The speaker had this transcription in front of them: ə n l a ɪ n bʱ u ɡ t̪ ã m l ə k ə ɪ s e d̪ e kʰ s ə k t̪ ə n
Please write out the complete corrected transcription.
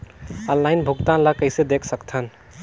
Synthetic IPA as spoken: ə n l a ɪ n bʱ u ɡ t̪ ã n l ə k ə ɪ s e d̪ e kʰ s ə k t̪ʰ ə n

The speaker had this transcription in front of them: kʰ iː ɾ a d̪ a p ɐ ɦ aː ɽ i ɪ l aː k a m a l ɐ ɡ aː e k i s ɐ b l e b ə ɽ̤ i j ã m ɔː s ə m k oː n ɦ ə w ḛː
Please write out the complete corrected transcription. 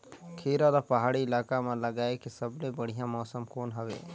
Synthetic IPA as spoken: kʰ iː ɾ a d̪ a p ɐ ɦ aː ɽ i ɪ l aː k a m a l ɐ ɡ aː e k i s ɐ b l e b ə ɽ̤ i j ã m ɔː s ə m k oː n ɦ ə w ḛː

